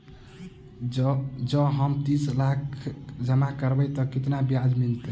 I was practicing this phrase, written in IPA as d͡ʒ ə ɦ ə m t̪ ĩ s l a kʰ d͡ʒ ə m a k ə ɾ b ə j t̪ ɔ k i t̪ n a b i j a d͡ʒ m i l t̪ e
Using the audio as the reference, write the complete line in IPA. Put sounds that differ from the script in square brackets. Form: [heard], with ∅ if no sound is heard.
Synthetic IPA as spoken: d͡ʒ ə ɦ ə m t̪ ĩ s l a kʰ d͡ʒ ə m a k ə ɾ b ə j t̪ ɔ k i t̪ n a b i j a d͡ʒ m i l t̪ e